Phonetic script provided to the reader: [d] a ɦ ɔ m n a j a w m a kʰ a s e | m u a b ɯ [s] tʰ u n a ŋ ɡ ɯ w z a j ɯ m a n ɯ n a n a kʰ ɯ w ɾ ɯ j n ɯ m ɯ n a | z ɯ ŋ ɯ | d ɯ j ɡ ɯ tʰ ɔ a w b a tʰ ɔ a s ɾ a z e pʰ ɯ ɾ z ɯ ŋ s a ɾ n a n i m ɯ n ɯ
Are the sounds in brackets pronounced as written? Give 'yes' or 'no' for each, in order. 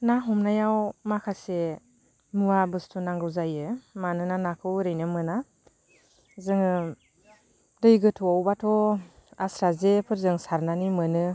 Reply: no, yes

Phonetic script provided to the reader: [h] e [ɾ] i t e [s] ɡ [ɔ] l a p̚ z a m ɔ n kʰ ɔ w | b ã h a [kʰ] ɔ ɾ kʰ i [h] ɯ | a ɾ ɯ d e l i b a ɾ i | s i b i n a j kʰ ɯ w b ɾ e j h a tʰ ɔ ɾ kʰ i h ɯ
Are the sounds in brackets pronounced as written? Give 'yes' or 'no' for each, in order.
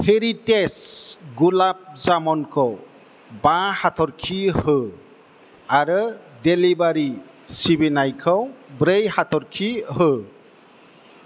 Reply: yes, yes, yes, no, no, yes

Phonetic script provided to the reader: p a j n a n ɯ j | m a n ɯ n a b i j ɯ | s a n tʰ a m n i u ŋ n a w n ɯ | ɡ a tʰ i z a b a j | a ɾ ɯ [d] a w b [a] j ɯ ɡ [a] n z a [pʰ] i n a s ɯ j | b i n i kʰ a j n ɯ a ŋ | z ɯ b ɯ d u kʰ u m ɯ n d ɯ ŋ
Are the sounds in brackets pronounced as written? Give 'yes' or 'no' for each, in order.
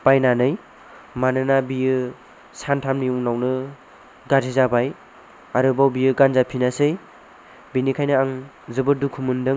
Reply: no, no, yes, yes

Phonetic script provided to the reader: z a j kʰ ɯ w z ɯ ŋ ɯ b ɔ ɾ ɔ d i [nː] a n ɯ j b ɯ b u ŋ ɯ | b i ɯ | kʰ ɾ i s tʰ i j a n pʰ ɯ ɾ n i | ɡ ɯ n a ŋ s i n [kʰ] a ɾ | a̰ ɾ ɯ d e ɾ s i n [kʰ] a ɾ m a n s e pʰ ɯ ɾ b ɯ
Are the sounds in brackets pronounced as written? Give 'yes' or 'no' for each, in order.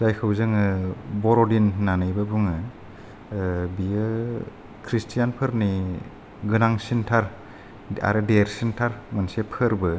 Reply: yes, no, no

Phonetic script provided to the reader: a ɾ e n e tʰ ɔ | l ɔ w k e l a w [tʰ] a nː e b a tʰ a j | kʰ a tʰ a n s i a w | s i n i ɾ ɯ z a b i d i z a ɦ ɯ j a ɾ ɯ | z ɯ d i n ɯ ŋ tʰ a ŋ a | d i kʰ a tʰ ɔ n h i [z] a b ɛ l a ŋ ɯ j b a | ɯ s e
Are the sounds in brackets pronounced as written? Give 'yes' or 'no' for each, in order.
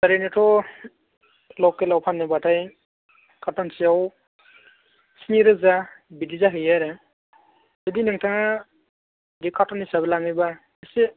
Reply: no, no

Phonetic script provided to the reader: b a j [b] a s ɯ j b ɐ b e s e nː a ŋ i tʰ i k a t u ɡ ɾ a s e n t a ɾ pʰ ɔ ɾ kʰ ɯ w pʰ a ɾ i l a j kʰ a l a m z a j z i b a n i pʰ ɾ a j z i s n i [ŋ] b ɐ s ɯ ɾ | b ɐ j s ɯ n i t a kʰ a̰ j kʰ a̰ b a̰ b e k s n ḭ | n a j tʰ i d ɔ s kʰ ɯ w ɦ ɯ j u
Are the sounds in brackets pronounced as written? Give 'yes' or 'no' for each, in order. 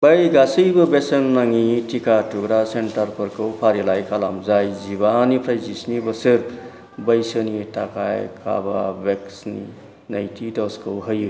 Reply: no, no

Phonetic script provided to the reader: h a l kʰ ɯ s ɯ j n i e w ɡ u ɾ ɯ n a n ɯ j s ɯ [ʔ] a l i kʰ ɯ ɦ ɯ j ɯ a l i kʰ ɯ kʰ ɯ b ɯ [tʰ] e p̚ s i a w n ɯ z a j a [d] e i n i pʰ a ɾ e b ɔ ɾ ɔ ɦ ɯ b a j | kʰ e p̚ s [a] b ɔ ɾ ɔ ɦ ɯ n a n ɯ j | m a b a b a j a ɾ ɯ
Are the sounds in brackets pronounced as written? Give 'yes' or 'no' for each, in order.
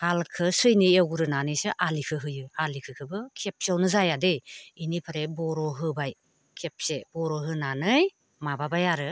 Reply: yes, no, yes, no

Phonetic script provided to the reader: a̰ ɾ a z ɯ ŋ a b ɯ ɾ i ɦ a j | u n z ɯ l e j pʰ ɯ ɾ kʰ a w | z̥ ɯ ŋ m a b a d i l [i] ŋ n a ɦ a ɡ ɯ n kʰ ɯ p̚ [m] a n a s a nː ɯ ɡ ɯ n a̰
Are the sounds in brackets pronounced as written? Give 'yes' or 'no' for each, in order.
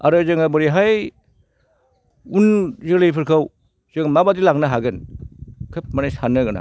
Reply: no, yes

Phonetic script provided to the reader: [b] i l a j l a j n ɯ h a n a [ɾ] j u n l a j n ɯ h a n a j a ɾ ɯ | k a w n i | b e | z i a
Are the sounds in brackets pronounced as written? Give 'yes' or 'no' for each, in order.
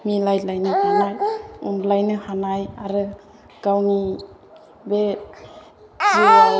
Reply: no, no

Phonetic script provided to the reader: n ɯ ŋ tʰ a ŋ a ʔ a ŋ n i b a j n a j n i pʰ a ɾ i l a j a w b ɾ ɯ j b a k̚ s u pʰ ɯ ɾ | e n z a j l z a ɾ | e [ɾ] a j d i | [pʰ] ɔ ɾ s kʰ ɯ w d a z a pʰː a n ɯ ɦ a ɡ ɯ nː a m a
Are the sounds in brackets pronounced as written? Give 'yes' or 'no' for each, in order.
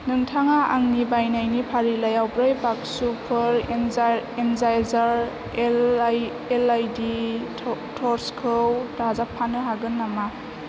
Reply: no, no

